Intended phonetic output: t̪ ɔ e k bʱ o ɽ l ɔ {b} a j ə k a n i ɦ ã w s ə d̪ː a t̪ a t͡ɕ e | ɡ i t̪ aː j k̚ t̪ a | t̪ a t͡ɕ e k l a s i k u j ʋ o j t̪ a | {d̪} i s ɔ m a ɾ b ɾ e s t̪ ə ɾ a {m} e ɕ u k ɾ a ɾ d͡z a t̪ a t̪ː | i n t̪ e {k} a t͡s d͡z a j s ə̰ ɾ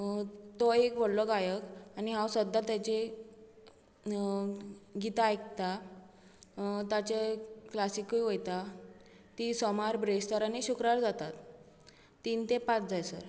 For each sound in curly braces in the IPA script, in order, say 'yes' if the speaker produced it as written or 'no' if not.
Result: no, no, no, no

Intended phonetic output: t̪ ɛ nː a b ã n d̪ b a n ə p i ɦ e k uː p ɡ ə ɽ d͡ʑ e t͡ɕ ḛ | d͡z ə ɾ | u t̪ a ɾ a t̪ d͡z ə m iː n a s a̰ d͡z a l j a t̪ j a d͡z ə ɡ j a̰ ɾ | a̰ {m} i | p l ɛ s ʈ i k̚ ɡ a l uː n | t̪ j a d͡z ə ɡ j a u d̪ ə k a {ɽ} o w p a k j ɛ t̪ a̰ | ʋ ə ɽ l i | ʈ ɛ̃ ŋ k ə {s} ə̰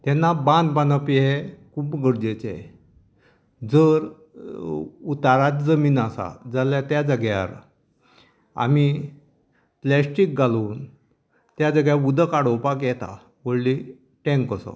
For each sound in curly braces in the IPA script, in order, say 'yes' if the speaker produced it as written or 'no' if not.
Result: yes, yes, yes

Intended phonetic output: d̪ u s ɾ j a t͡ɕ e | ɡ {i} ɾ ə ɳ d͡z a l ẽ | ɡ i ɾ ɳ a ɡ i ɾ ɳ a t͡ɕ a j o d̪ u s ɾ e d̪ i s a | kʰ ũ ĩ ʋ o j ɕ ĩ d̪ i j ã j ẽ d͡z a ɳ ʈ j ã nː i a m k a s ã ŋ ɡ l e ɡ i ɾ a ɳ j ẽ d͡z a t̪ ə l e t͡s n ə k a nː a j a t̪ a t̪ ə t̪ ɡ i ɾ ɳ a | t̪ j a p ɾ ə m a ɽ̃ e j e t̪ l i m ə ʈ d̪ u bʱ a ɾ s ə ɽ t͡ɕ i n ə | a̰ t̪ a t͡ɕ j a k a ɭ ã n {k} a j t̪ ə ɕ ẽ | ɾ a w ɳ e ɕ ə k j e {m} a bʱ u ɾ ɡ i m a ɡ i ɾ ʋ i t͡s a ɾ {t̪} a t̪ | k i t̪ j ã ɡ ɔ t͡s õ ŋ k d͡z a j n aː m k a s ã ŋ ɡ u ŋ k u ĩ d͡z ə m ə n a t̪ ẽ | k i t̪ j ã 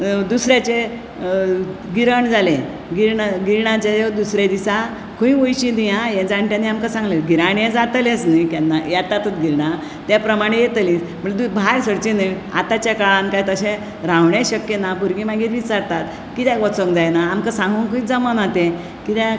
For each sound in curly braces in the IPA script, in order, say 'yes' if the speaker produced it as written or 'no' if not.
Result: yes, yes, no, yes

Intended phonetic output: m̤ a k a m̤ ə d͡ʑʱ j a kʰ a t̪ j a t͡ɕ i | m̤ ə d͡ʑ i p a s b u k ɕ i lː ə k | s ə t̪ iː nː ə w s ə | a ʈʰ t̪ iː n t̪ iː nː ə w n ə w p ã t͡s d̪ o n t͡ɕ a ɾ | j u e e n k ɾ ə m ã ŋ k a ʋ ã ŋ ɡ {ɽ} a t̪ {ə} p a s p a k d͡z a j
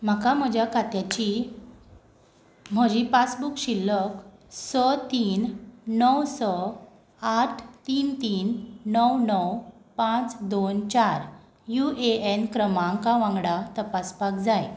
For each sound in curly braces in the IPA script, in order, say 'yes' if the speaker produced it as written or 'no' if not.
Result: yes, yes

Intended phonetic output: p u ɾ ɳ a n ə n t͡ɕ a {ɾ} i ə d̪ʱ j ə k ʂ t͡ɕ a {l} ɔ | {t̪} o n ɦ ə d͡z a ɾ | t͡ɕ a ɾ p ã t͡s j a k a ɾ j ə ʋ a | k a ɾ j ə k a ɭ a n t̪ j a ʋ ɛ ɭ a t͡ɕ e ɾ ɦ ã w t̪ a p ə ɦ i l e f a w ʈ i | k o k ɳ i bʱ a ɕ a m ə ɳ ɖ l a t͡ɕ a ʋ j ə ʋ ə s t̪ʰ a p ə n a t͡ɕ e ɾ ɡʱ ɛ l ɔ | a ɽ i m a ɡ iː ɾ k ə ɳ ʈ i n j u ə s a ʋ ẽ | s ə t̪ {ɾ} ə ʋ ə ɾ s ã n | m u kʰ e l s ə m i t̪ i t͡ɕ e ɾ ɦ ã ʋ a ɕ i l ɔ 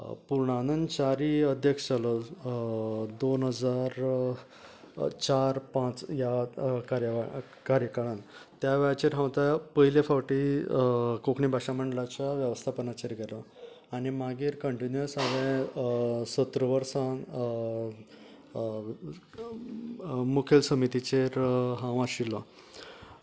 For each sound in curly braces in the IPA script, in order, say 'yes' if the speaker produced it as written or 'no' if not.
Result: yes, yes, no, yes

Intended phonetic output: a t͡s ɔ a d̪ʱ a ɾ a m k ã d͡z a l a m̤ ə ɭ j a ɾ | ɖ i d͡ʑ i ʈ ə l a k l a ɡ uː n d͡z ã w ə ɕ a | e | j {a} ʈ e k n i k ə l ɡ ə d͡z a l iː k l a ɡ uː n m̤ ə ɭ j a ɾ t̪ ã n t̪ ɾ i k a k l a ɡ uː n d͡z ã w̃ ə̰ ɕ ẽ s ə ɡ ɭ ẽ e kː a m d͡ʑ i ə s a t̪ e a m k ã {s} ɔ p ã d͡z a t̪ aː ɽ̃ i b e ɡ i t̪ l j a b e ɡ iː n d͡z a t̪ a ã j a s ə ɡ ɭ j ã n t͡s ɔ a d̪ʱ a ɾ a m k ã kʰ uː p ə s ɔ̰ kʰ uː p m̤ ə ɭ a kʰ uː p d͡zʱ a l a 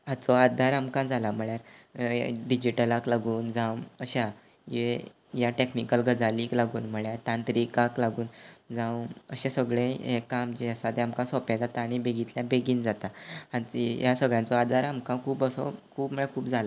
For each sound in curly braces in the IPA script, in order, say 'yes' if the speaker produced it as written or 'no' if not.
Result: yes, yes

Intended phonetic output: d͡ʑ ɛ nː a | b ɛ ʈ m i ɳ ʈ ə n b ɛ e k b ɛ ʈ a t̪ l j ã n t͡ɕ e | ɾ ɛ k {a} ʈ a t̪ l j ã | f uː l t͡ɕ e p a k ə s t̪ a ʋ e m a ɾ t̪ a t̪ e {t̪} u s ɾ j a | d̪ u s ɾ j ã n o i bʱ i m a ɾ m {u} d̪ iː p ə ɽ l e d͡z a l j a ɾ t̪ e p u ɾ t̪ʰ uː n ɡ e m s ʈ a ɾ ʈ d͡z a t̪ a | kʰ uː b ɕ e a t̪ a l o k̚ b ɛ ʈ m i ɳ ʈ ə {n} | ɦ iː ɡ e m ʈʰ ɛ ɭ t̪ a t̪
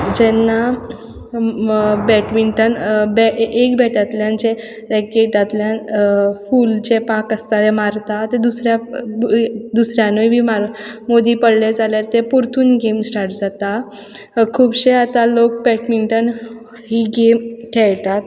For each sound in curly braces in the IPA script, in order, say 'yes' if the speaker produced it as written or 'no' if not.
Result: no, no, no, yes

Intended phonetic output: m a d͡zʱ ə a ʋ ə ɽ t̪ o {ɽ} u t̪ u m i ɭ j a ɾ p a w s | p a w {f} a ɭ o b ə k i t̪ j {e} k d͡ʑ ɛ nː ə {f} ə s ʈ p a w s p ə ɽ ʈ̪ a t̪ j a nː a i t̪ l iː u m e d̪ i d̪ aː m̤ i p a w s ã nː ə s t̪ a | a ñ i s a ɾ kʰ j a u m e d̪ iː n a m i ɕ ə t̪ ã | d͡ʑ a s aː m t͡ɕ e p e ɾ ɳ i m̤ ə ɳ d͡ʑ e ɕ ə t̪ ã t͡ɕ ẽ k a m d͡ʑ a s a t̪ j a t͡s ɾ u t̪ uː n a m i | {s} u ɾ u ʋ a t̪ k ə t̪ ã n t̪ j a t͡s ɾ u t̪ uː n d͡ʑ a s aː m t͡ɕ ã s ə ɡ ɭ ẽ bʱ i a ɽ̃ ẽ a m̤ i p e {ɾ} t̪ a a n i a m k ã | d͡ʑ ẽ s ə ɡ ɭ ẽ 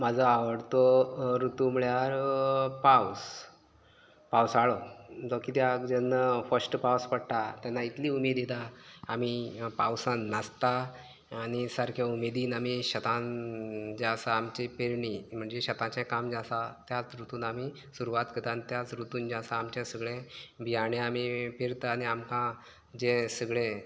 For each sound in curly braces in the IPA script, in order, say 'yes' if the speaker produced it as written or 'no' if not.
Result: no, no, no, yes, yes, yes

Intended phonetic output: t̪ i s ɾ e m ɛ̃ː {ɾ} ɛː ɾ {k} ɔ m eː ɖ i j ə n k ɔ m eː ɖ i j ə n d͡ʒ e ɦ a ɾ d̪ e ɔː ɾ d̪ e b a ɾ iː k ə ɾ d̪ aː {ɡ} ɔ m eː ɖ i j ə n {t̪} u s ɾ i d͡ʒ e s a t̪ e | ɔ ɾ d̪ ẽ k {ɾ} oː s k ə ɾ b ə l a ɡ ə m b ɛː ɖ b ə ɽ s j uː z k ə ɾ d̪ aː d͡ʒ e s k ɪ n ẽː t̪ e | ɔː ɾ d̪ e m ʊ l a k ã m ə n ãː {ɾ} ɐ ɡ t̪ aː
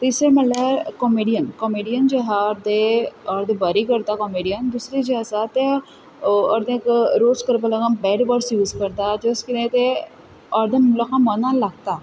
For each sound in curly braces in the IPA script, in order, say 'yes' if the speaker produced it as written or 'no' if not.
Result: no, yes, no, no, yes, no

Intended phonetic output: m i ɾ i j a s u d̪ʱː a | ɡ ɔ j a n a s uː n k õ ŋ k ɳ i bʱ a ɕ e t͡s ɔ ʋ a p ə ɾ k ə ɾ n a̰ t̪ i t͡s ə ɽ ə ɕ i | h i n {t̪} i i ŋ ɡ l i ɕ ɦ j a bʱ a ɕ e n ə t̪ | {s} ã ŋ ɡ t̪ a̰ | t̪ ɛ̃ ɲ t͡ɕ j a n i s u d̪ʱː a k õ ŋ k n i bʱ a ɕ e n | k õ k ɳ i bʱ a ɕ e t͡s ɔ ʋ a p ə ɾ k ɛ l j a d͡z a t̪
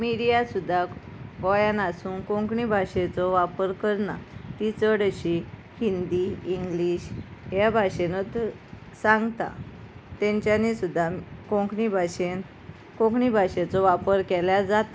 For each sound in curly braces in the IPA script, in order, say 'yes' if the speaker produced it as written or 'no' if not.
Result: no, yes

